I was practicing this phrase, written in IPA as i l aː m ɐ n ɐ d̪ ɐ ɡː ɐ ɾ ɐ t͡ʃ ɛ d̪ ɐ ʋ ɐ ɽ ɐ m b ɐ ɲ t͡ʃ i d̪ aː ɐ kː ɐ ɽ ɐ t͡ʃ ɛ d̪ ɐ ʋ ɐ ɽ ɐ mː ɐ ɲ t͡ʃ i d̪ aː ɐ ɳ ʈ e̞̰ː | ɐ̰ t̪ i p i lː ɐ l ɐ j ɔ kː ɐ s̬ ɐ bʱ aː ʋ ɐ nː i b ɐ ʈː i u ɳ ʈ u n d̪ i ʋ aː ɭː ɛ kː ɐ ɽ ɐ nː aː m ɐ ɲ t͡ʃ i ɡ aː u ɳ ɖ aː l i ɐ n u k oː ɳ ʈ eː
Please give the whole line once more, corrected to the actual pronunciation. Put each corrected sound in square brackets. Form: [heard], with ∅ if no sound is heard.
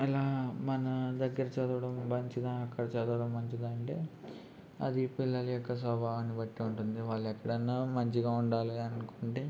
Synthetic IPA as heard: i l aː m ɐ n ɐ d̪ ɐ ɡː ɐ ɾ ɐ t͡ʃ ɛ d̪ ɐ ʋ ɐ ɽ ɐ m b ɐ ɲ t͡ʃ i d̪ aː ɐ kː ɐ ɽ ɐ t͡ʃ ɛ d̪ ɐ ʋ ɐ ɽ ɐ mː ɐ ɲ t͡ʃ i d̪ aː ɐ ɳ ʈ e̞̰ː | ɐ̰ [d̪] i p i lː ɐ l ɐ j ɔ kː ɐ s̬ ɐ bʱ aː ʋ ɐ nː i b ɐ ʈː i u ɳ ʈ u n d̪ i ʋ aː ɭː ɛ kː ɐ ɽ ɐ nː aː m ɐ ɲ t͡ʃ i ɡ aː u ɳ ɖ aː l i ɐ n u k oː ɳ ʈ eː

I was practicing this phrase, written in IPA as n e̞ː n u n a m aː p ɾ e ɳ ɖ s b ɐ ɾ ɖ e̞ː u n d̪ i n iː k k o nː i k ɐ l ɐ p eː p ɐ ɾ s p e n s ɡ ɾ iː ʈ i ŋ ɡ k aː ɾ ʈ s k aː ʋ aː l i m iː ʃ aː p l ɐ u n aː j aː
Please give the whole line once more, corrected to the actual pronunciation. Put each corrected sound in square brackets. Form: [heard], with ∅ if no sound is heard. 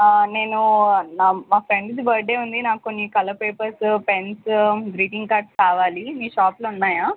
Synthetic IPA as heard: n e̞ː n u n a m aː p ɾ e ɳ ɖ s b ɐ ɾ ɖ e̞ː u n d̪ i n [aː] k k o nː i k ɐ l ɐ p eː p ɐ ɾ s p e n s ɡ ɾ iː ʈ i ŋ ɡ k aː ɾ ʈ s k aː ʋ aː l i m iː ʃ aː p l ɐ u [nː] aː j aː

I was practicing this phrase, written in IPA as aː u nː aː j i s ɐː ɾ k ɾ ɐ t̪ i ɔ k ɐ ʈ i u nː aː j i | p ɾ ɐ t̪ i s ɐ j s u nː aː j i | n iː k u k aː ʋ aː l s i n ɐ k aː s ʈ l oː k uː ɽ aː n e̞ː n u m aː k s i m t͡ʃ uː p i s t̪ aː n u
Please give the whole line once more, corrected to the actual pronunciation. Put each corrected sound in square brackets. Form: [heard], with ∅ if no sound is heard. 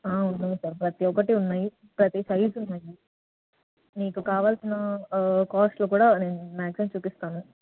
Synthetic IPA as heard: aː u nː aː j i s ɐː ɾ [p] ɾ ɐ t̪ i ɔ k ɐ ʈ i u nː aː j i | p ɾ ɐ t̪ i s ɐ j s u nː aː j i | n iː k u k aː ʋ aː l s i n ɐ k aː s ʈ l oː k uː ɽ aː n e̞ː n u m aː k s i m t͡ʃ uː p i s t̪ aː n u

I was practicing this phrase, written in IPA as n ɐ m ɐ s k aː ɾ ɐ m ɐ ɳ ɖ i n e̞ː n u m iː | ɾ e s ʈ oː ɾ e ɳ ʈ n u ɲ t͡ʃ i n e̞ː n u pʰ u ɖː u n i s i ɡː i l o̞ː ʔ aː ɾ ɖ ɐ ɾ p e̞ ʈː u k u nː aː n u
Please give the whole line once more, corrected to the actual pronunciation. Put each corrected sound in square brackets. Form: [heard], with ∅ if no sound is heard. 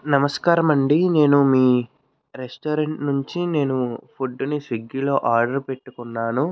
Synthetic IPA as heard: n ɐ m ɐ s k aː ɾ ɐ m ɐ ɳ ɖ i n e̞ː n u m iː | ɾ e s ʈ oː ɾ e ɳ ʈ n u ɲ t͡ʃ i n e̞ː n u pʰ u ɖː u n i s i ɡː i l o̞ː ʔ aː ɾ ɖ ɐ ɾ p e̞ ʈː u k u nː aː n u

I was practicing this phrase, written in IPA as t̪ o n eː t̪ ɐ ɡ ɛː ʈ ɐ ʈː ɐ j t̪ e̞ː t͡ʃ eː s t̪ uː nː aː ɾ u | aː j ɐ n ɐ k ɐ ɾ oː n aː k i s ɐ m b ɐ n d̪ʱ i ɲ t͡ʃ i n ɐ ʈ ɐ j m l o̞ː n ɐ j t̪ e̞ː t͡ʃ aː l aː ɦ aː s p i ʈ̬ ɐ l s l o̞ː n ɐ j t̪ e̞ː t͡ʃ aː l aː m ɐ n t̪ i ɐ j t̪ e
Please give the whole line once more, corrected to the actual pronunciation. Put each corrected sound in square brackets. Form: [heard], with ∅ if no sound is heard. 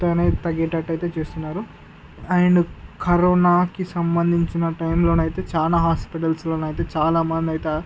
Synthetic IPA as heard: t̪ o n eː t̪ ɐ ɡ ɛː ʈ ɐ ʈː ɐ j t̪ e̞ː t͡ʃ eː s t̪ [u] nː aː ɾ u | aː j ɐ n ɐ k ɐ ɾ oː n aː k i s ɐ m b ɐ n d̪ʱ i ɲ t͡ʃ i n ɐ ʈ ɐ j m l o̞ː n ɐ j t̪ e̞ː t͡ʃ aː l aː ɦ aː s p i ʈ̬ ɐ l s l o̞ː n ɐ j t̪ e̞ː t͡ʃ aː l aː m ɐ n [d̪] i ɐ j t̪ e

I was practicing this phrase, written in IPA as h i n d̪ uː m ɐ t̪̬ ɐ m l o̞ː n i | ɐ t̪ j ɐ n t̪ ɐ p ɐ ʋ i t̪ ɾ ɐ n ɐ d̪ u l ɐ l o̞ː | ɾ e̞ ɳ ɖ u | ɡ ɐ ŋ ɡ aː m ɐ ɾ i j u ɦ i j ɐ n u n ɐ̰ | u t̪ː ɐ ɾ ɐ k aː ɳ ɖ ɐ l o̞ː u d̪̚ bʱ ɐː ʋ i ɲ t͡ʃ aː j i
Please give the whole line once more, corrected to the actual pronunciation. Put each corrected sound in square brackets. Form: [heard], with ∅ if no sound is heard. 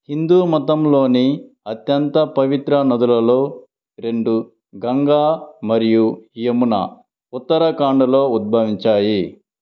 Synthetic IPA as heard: h i n d̪ uː m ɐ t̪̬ ɐ m l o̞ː n i | ɐ t̪ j ɐ n t̪ ɐ p ɐ ʋ i t̪ ɾ ɐ n ɐ d̪ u l ɐ l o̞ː | ɾ e̞ ɳ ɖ u | ɡ ɐ ŋ ɡ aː m ɐ ɾ i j u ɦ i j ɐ [m] u n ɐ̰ | u t̪ː ɐ ɾ ɐ k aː ɳ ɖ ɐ l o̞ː u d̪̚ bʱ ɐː ʋ i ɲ t͡ʃ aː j i

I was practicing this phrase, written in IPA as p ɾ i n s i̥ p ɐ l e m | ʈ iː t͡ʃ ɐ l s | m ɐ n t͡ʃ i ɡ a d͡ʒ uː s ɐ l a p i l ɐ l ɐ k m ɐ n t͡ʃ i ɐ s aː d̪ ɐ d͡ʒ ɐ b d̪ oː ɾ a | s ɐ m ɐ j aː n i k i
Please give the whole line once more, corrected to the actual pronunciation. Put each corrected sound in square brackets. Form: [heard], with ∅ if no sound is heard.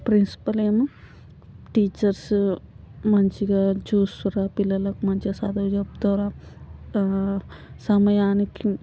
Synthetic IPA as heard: p ɾ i n s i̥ p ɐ l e m | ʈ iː t͡ʃ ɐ [ɾ] s | m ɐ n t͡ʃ i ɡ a d͡ʒ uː s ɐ [ɾ] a p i l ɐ l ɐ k m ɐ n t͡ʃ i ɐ s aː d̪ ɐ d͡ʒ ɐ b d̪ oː ɾ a | s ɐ m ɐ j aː n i k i

